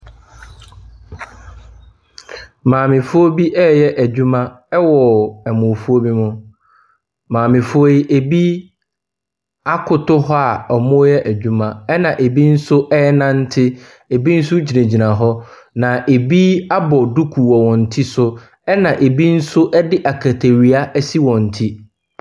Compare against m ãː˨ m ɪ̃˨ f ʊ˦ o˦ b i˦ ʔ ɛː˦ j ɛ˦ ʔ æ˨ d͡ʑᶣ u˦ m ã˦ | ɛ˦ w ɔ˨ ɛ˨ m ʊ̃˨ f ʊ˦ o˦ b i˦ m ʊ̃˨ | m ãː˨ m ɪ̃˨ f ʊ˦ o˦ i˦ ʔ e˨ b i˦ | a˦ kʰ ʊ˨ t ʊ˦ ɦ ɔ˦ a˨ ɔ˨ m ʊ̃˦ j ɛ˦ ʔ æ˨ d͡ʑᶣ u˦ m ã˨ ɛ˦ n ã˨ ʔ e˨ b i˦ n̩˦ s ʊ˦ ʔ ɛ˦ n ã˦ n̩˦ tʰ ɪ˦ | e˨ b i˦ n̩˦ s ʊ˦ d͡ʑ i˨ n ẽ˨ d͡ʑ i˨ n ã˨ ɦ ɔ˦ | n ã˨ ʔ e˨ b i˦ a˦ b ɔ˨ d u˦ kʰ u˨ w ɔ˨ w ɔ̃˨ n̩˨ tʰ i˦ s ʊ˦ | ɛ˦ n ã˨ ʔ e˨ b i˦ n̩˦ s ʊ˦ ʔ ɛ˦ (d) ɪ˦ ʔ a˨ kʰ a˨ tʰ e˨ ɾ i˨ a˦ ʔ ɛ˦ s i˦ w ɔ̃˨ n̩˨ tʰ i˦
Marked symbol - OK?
yes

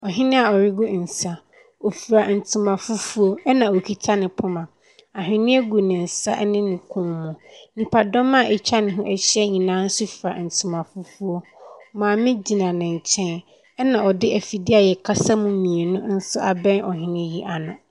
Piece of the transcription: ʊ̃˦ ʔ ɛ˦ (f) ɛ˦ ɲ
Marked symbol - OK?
no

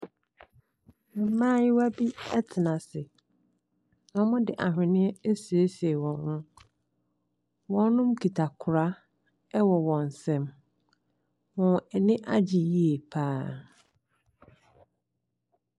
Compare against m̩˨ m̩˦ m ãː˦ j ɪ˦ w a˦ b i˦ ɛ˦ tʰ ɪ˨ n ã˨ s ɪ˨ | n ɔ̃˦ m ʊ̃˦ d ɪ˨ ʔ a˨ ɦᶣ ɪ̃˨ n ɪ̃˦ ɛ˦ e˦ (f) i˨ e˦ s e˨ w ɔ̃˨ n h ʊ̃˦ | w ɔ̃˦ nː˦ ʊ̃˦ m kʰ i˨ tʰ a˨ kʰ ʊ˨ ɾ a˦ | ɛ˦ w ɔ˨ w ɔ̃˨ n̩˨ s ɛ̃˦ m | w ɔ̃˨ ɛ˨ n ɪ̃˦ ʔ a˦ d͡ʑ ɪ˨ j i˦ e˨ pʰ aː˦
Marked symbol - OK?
no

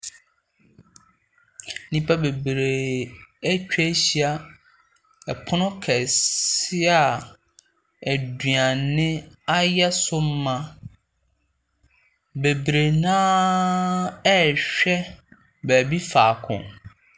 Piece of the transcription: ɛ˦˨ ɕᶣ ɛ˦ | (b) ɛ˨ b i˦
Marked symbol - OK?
yes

